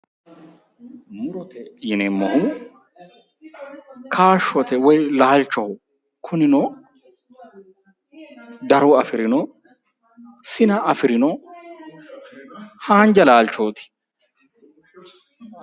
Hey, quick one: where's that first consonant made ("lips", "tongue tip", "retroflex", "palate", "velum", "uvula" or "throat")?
lips